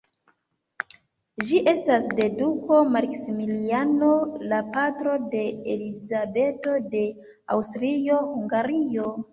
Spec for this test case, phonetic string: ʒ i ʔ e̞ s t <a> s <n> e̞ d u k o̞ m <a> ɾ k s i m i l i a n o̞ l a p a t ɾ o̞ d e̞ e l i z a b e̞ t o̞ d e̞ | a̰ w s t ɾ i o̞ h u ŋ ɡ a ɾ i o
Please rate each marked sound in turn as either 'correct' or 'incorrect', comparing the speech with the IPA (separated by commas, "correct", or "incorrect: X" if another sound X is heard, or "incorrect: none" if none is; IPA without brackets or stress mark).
correct, incorrect: d, correct